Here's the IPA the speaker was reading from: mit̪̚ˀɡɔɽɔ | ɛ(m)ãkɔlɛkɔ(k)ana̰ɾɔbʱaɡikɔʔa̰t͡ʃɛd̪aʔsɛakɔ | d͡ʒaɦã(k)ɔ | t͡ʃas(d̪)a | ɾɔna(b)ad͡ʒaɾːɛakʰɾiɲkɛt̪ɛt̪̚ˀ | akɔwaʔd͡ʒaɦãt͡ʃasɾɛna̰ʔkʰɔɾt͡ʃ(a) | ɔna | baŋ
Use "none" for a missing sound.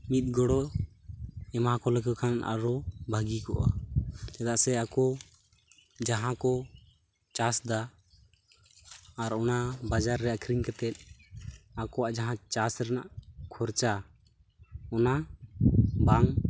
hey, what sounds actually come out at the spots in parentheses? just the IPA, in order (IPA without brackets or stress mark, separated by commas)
m, kʰ, k, d̪, b, a